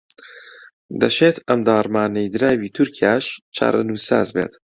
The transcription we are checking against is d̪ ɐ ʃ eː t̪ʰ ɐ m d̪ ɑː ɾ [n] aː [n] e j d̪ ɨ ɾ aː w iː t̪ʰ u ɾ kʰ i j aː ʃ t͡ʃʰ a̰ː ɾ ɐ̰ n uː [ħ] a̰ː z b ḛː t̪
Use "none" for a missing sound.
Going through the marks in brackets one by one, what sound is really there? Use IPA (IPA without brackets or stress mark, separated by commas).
m, n, s